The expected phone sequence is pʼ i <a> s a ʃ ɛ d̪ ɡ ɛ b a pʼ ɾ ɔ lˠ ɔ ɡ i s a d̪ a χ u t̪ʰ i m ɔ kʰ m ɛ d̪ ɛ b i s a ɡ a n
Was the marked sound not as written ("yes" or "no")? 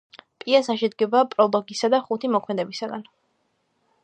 no